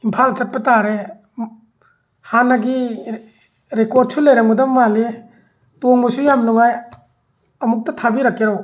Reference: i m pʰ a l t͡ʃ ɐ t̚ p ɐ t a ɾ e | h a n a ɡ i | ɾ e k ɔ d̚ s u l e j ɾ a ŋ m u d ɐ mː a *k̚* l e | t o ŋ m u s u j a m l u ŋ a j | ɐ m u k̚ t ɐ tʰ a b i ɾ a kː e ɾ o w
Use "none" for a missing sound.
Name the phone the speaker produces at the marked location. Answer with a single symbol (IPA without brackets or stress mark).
none